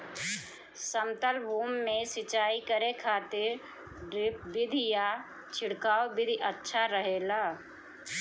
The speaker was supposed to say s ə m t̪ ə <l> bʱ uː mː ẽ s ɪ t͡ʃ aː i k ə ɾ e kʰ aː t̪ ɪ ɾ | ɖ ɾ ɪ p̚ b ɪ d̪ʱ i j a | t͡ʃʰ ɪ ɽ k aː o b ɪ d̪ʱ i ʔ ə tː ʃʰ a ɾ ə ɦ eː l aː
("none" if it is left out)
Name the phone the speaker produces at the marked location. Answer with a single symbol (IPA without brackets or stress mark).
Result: l